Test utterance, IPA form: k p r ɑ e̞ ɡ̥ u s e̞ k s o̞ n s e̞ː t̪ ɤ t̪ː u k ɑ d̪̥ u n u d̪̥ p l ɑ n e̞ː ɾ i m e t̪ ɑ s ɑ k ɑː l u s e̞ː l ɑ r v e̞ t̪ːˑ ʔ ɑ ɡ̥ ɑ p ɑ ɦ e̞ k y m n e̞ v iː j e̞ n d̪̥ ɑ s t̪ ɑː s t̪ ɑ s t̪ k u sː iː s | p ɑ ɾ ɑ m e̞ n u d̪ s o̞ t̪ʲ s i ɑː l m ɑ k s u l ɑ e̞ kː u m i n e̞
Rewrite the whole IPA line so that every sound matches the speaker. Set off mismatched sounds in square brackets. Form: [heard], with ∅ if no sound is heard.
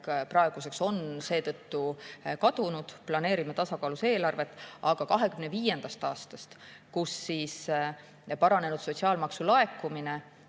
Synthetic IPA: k p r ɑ e̞ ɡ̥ u s e̞ k s o̞ n s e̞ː t̪ ɤ t̪ː u k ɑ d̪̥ u n u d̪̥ p l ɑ n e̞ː ɾ i m e t̪ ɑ s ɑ k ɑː l u s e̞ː l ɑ r v e̞ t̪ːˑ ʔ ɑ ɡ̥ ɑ [k] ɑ ɦ e̞ k y m n e̞ v iː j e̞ n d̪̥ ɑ s t̪ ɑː s t̪ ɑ s t̪ k u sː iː s | p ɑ ɾ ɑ [n] e̞ n u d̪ s o̞ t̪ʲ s i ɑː l m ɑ k s u l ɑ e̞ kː u m i n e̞